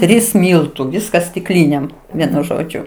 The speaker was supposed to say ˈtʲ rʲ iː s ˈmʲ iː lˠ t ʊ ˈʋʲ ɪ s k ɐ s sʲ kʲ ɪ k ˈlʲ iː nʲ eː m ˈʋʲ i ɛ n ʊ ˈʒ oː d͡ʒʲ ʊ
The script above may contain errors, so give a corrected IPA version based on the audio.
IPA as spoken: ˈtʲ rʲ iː s ˈmʲ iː lˠ t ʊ ˈʋʲ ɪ s k ɐ s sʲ tʲ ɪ k ˈlʲ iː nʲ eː m ˈʋʲ i ɛ n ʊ ˈʒ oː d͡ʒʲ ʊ